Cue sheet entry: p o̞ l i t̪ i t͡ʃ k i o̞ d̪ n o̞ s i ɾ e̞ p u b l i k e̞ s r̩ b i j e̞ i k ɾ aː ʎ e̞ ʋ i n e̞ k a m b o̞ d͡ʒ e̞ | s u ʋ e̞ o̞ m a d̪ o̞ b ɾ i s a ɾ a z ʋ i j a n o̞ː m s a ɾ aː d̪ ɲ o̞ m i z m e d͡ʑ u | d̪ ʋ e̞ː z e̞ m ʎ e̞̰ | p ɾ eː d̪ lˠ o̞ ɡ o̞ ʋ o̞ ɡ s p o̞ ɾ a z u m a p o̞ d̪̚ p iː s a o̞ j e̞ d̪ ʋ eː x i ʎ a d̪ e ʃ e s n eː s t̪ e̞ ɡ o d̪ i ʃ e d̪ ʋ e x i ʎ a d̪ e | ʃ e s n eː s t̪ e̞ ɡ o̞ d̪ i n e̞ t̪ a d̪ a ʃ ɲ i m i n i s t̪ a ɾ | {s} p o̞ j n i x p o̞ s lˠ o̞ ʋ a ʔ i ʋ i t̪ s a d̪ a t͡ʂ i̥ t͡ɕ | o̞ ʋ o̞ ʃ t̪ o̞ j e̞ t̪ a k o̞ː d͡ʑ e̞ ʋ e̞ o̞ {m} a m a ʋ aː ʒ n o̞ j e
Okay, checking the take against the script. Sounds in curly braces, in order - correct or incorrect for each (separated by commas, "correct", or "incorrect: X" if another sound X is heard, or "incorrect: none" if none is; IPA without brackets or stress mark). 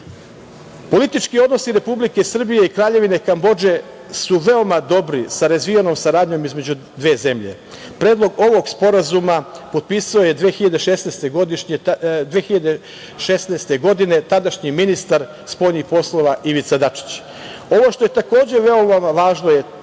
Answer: correct, correct